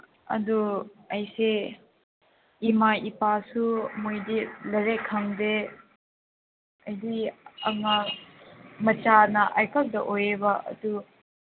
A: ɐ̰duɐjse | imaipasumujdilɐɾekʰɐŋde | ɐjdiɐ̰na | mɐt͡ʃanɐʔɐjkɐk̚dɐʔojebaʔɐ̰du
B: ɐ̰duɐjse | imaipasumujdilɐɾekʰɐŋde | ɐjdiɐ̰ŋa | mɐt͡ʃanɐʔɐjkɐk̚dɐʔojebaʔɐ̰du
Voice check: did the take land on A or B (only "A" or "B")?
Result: B